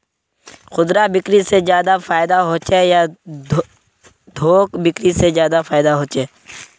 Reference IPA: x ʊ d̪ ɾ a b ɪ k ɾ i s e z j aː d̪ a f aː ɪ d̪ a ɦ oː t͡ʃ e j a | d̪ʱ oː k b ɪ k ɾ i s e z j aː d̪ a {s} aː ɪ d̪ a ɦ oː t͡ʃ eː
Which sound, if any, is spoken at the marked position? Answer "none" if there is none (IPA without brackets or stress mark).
f